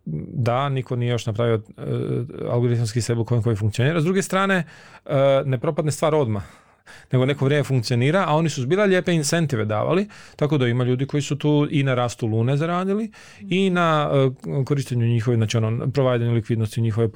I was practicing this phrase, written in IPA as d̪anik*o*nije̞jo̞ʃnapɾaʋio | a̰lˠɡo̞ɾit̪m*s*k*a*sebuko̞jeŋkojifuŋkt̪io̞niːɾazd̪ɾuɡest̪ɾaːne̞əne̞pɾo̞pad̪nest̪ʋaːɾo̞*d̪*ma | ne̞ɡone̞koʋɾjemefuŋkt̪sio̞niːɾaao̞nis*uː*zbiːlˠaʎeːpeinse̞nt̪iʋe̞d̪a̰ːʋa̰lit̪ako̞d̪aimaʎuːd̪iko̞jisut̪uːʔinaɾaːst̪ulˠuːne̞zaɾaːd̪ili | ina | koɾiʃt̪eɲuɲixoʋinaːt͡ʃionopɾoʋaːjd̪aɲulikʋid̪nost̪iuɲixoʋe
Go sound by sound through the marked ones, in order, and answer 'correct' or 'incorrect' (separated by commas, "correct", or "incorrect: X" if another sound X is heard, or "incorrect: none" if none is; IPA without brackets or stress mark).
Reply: correct, correct, incorrect: i, correct, incorrect: u